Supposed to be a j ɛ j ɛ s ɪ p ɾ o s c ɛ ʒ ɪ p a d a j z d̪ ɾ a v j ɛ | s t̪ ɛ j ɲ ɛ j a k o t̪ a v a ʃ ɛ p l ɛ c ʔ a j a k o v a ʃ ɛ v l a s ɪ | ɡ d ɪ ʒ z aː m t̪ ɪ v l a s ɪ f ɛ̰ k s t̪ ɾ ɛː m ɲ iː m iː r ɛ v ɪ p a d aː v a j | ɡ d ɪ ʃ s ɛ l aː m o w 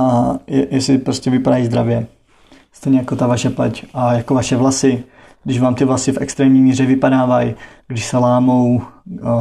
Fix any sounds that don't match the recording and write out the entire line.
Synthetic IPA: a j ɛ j ɛ s ɪ p ɾ o s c ɛ v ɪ p a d a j z d̪ ɾ a v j ɛ | s t̪ ɛ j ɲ ɛ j a k o t̪ a v a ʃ ɛ p l ɛ c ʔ a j a k o v a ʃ ɛ v l a s ɪ | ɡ d ɪ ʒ v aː m t̪ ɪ v l a s ɪ f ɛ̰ k s t̪ ɾ ɛː m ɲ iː m iː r ɛ v ɪ p a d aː v a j | ɡ d ɪ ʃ s ɛ l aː m o w